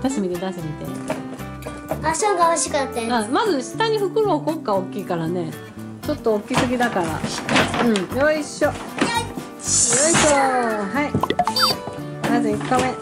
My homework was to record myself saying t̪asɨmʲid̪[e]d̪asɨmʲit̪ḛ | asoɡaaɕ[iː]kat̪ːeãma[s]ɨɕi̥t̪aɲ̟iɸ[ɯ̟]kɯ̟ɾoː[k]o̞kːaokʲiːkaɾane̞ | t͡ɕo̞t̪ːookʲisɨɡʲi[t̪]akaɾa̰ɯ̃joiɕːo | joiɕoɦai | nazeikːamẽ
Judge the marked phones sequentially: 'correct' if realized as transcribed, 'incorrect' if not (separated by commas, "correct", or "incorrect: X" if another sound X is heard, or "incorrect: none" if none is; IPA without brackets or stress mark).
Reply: correct, incorrect: i, incorrect: z, correct, correct, incorrect: d̪